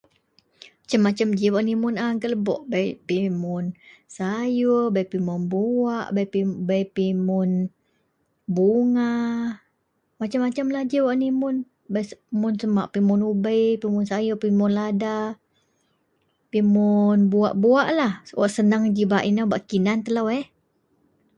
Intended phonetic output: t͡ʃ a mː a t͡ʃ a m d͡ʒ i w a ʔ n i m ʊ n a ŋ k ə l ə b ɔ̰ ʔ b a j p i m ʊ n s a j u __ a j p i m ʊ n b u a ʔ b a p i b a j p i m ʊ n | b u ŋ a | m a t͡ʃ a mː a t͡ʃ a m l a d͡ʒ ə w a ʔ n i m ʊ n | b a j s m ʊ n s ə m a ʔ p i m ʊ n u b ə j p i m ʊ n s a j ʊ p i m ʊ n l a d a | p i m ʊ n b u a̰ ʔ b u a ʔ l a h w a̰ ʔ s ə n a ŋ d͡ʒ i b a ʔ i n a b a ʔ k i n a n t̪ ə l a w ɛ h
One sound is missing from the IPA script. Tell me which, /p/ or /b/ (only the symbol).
b